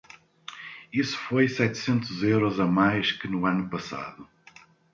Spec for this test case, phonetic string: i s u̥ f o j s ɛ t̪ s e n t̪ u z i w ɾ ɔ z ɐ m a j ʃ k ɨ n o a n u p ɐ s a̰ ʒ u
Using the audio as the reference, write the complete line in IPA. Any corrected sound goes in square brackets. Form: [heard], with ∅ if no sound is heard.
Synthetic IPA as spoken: i s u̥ f o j s ɛ t̪ s [ẽ] n t̪ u z [e] w ɾ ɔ z ɐ m a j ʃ k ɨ n [u] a n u p ɐ s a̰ [ð] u